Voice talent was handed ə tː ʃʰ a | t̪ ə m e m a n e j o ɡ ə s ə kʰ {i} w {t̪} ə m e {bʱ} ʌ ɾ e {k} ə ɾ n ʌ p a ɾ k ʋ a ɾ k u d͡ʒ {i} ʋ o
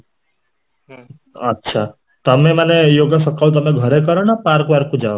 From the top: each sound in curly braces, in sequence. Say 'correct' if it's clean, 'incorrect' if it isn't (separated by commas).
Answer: incorrect, correct, incorrect, correct, incorrect